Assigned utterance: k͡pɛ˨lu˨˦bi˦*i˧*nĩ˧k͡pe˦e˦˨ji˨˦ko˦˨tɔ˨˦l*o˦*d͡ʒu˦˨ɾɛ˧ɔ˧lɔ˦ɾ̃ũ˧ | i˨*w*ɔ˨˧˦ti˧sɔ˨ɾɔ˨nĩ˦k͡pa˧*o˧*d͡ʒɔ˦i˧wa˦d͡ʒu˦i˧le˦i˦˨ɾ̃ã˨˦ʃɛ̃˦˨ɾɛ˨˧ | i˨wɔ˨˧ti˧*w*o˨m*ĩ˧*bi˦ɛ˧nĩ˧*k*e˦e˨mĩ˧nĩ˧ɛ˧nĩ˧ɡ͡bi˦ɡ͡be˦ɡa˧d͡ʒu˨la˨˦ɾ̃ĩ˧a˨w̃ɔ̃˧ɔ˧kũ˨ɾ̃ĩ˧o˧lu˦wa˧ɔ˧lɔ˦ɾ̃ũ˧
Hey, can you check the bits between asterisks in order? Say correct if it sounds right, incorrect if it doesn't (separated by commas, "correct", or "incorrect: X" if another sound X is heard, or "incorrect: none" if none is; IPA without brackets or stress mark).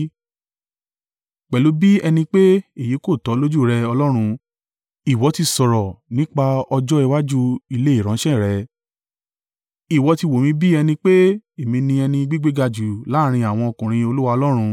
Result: incorrect: ɛ˧, correct, correct, incorrect: ɔ˧, correct, correct, incorrect: k͡p